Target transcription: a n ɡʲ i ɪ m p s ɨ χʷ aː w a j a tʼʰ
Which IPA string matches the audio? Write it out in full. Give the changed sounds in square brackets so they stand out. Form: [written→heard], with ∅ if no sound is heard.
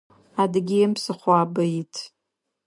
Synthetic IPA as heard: a [n→d] ɡʲ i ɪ m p s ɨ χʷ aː [w→b] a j [a→i] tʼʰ